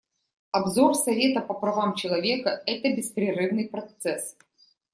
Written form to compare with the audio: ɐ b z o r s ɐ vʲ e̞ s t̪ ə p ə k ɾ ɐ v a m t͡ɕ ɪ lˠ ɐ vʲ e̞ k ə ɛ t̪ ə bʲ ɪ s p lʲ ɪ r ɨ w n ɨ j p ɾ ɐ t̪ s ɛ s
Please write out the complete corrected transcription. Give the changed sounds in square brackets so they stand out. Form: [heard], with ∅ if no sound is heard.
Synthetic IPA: ɐ b z o r s ɐ vʲ e̞ [∅] t̪ ə p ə [p] ɾ ɐ v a m t͡ɕ ɪ lˠ ɐ vʲ e̞ k ə ɛ t̪ ə bʲ ɪ s p [ɾʲ] ɪ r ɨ [v] n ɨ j p ɾ ɐ t̪ s ɛ s